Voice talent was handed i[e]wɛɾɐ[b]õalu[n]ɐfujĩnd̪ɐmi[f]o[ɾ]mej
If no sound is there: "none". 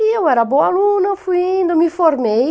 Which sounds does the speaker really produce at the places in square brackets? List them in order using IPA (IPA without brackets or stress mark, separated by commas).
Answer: e, b, n, f, ɾ